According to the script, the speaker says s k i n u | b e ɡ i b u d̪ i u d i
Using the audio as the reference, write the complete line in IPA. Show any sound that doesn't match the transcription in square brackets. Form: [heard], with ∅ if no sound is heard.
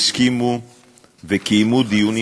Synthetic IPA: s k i [m] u | [v] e [k] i [m] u d̪ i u [n] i